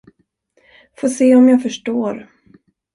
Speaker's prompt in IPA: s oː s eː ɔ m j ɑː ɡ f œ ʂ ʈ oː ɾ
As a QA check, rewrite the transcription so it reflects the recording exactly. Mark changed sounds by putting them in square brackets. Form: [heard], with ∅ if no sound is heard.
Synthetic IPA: [f] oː s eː ɔ m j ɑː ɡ f œ ʂ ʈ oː ɾ